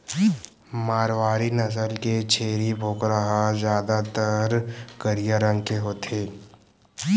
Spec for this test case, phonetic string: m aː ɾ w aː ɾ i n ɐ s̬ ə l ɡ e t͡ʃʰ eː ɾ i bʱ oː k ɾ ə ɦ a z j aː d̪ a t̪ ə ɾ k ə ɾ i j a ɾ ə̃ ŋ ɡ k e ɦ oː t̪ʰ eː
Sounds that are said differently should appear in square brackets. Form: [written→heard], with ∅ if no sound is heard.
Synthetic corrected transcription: m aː ɾ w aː ɾ i n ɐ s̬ ə l [ɡ→k] e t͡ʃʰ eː ɾ i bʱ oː k ɾ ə ɦ a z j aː d̪ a t̪ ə ɾ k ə ɾ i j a ɾ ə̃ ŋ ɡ k e ɦ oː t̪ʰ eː

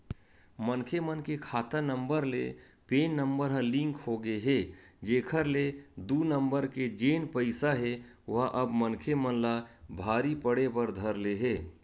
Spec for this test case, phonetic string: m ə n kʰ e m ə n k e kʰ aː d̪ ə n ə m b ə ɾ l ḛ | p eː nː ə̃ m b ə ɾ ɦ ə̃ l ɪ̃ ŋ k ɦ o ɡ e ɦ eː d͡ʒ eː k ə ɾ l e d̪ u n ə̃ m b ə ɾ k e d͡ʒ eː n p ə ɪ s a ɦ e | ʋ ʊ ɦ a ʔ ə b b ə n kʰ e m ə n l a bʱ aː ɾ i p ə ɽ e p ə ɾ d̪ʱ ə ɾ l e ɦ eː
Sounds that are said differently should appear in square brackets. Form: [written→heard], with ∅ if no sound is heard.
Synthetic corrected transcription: m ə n kʰ e m ə n k e kʰ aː [d̪→t̪] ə n ə m b ə ɾ l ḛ | p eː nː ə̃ m b ə ɾ ɦ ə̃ l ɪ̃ ŋ k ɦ o ɡ e ɦ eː d͡ʒ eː [k→kʰ] ə ɾ l e d̪ u n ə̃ m b ə ɾ k e d͡ʒ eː n p ə ɪ s a ɦ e | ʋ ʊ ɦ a ʔ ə b [b→m] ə n kʰ e m ə n l a bʱ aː ɾ i p ə ɽ e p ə ɾ d̪ʱ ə ɾ l e ɦ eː

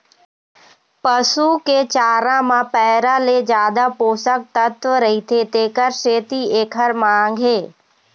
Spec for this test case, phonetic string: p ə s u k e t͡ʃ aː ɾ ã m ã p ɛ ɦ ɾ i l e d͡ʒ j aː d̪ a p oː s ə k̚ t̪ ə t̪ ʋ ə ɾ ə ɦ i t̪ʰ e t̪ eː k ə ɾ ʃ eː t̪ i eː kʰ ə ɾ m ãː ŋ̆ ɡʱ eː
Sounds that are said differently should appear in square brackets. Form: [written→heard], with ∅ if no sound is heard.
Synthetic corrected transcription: p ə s u k e t͡ʃ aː ɾ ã m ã p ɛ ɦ ɾ [i→a] l e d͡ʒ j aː d̪ a p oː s ə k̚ t̪ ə t̪ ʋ ə ɾ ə ɦ i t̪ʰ e t̪ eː k ə ɾ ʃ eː t̪ i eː kʰ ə ɾ m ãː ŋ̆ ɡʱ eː

